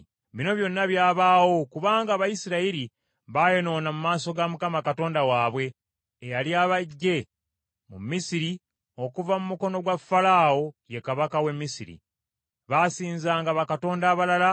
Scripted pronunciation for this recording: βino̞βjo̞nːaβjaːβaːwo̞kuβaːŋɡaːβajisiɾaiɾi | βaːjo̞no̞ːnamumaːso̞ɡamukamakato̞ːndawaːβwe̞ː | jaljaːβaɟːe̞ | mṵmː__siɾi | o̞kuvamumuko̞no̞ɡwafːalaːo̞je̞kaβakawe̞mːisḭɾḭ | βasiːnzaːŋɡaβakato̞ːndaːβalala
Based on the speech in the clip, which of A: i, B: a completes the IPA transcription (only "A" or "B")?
A